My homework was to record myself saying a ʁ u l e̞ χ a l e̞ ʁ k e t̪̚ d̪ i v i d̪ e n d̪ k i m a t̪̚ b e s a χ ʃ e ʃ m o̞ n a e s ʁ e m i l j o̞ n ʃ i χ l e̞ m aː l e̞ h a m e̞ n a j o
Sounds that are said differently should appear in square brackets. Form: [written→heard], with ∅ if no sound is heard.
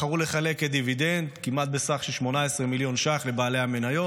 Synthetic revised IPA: a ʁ u l e̞ χ a l e̞ [ʁ→∅] k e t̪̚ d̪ i v i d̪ e n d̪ k i m a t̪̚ b e s a χ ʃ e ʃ m o̞ n a e s ʁ e m i l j o̞ n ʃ [i→a] χ l e̞ [m→b] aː l e̞ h a m e̞ n a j o